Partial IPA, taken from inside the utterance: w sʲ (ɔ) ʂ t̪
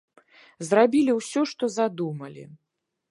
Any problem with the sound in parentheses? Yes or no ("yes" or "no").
no